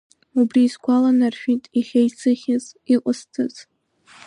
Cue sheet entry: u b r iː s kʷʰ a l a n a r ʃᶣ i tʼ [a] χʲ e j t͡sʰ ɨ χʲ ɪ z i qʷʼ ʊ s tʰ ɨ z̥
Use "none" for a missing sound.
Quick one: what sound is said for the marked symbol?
i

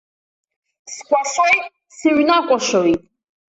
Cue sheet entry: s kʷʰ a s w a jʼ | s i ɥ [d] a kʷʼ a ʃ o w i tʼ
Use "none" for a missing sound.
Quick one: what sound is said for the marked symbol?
n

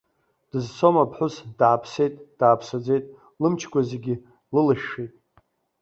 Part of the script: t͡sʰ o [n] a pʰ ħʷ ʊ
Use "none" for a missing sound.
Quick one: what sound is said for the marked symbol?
m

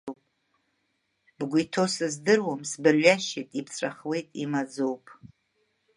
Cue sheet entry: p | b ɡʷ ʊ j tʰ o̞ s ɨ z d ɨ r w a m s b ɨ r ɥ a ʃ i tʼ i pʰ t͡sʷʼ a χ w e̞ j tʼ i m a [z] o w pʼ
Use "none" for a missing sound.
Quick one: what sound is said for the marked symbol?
d͡z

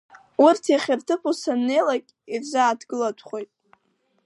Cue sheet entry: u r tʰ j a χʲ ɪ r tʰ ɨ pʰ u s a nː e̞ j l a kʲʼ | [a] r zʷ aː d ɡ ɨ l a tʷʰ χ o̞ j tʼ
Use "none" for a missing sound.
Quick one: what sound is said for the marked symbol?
i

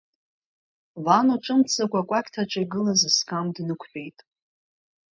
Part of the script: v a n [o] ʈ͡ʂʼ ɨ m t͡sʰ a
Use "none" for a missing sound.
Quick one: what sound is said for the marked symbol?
o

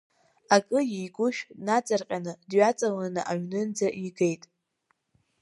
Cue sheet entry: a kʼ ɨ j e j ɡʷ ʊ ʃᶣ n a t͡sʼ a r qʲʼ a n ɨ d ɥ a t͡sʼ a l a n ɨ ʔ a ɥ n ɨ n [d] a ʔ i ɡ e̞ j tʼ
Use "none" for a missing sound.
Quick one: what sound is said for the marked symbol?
d͡z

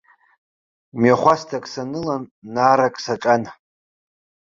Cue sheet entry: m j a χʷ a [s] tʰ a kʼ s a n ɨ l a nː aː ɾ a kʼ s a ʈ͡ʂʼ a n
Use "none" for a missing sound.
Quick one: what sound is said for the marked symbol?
s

